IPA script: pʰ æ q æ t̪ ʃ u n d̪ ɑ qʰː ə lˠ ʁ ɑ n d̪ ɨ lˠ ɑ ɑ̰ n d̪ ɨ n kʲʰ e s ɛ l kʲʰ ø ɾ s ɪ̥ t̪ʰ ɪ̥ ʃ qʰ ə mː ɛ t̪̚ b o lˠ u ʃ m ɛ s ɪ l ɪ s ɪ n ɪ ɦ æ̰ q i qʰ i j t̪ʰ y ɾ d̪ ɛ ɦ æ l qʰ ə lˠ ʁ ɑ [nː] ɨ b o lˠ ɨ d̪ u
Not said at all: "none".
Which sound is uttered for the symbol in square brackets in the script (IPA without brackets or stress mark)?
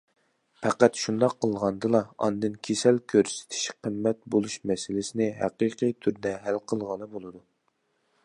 n